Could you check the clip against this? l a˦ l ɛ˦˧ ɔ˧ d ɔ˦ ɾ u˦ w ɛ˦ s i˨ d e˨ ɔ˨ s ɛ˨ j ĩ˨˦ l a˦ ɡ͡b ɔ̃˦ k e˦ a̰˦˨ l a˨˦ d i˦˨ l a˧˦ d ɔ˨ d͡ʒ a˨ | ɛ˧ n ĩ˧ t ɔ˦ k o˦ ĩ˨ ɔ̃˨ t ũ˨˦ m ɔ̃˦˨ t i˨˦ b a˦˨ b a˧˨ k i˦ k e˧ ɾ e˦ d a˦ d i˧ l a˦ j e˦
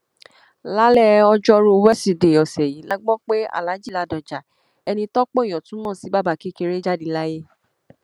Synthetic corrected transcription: l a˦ l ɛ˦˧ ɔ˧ d͡ʒ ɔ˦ ɾ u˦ w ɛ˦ s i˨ d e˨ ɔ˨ s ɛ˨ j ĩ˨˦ l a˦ ɡ͡b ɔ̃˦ k͡p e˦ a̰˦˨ l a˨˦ d͡ʒ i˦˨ l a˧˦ d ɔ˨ d͡ʒ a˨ | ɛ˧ n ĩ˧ t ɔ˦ k͡p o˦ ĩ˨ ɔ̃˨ t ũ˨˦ m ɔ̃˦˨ s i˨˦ b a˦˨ b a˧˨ k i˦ k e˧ ɾ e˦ d͡ʒ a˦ d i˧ l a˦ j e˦